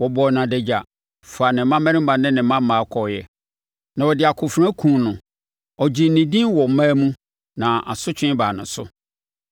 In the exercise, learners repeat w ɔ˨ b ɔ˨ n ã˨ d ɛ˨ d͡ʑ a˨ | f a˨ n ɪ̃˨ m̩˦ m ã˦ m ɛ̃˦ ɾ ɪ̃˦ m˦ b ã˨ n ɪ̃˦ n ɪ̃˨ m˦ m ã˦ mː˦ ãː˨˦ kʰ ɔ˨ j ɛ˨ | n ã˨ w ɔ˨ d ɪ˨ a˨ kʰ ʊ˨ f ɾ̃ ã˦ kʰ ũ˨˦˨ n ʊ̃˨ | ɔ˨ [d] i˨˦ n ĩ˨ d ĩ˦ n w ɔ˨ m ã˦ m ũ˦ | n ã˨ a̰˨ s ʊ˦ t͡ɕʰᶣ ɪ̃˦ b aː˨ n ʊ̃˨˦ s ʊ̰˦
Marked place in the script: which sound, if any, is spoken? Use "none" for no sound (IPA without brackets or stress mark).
d͡ʑ